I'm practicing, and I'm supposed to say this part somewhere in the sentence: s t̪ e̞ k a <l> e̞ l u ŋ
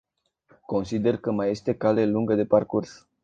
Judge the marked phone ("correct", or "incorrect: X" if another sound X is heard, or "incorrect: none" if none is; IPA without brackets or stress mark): correct